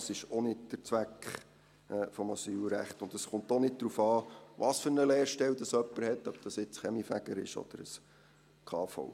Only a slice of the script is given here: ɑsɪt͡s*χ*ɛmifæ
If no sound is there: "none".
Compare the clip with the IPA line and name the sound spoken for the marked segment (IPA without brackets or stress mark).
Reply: χ